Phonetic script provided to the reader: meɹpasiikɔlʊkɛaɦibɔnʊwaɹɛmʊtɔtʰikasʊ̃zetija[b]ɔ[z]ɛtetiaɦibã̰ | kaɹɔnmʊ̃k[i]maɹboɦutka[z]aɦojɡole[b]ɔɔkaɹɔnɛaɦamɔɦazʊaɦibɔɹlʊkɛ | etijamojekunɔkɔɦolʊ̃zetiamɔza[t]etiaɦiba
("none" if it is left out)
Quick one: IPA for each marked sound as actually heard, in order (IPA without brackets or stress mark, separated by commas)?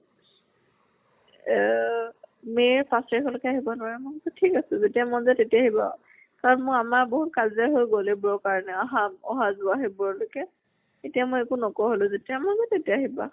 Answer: m, z, a, z, b, t